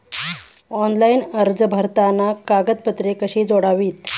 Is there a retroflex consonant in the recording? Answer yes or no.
yes